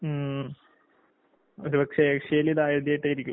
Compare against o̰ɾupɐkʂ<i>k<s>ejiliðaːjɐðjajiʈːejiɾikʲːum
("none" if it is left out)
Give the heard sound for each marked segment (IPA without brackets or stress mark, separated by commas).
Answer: e, ʂ